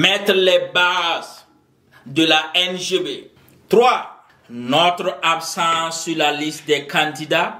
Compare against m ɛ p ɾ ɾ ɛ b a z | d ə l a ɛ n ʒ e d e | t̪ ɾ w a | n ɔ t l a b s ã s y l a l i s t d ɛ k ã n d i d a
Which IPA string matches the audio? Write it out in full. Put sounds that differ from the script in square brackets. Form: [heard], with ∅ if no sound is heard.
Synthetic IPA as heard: m ɛ [t] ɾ [l] ɛ b a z | d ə l a ɛ n ʒ e [b] e | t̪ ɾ w a | n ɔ t [ɾ] a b s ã s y l a l i s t d ɛ k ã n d i d a